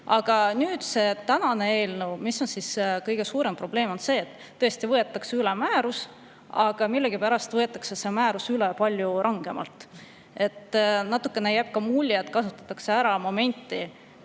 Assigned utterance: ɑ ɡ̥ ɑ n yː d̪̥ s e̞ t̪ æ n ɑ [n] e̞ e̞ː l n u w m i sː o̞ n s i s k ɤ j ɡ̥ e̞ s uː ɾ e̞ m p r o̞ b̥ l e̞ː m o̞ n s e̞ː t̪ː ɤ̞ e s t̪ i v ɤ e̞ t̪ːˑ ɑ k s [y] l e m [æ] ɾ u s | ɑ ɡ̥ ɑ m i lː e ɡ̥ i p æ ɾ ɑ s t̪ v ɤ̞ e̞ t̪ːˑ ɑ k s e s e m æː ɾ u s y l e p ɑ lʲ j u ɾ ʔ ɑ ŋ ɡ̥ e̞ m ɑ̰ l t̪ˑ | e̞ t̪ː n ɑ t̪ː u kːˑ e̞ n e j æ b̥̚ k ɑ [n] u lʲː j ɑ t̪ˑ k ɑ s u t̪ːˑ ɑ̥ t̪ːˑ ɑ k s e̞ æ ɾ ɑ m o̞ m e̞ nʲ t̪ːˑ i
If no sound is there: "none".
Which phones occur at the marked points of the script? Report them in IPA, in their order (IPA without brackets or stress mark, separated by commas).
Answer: n, y, æː, m